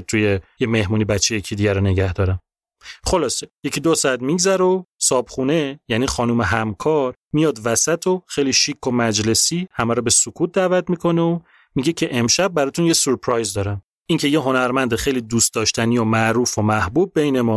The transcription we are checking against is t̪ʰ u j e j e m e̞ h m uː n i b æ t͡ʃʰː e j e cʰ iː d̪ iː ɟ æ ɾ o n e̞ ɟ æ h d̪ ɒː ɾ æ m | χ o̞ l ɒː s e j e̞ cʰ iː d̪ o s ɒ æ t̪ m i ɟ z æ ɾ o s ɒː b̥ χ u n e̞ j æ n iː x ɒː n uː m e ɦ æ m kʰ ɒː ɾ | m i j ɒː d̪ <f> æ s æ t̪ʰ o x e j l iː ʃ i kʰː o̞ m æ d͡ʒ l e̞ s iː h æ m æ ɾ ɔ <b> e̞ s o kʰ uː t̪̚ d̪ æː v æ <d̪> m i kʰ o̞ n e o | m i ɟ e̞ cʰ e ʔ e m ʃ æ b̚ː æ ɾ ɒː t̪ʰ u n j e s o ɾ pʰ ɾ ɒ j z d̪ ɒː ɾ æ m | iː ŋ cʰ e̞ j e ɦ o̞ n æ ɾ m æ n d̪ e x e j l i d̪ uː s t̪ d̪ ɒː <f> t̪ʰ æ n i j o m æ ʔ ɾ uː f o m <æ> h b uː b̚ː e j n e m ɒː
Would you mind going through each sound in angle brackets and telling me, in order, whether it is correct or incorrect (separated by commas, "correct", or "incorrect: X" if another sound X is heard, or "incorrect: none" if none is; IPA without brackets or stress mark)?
incorrect: v, correct, incorrect: t̪, incorrect: ʃ, correct